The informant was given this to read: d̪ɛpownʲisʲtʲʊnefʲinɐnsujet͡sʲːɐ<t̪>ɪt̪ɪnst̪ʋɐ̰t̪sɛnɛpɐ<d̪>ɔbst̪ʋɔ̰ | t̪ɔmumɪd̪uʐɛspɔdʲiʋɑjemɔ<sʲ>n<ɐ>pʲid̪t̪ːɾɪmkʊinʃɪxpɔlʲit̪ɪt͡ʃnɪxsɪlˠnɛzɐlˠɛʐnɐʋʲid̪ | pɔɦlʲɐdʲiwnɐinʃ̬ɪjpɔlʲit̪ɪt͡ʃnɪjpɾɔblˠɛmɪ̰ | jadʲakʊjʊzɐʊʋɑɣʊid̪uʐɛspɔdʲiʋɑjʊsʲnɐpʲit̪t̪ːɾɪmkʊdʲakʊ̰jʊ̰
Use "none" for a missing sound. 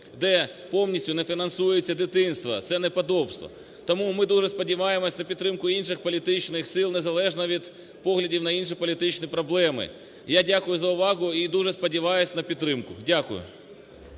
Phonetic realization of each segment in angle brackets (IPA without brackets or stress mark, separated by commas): d̪, d̪, sʲ, ɐ